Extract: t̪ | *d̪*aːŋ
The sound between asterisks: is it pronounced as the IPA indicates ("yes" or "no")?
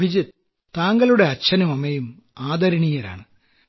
no